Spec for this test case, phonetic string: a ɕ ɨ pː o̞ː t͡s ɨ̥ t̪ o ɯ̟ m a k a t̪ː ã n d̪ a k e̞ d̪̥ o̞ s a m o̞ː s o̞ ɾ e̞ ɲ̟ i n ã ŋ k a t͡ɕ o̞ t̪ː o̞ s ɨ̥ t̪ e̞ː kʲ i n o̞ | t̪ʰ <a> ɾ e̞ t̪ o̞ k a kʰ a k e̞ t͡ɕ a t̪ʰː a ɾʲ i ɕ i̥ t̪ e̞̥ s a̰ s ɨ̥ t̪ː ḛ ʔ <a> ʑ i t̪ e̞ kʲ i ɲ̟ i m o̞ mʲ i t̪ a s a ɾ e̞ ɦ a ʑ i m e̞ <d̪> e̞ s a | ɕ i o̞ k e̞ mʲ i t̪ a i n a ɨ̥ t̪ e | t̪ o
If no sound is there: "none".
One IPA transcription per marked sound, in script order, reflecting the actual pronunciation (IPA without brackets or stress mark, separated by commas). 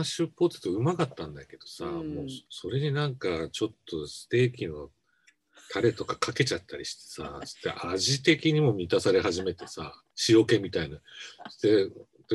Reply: a, a, t̪